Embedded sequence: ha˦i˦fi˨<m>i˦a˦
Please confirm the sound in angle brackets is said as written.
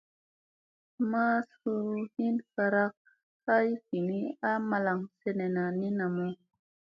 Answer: no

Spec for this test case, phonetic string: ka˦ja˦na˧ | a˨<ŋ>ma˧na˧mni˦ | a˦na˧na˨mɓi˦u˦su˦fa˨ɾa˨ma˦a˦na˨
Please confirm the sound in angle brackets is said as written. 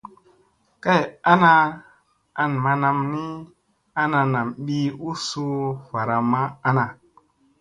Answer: no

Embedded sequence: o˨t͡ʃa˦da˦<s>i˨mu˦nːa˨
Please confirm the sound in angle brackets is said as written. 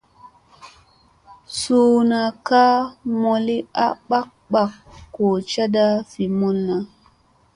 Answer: no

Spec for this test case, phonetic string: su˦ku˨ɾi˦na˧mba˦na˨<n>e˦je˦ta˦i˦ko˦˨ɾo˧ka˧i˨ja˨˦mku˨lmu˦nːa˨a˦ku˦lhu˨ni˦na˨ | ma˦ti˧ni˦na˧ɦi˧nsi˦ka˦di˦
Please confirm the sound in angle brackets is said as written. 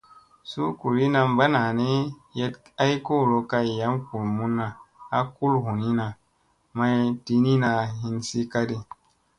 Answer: yes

